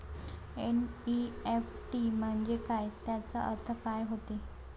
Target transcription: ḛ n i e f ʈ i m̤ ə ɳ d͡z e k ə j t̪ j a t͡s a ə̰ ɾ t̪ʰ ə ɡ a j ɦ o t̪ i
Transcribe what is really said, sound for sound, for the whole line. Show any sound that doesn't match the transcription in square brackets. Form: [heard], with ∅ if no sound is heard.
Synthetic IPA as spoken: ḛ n i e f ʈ i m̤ ə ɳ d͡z e k [a] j t̪ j a t͡s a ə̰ ɾ t̪ʰ ə [k] a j ɦ o t̪ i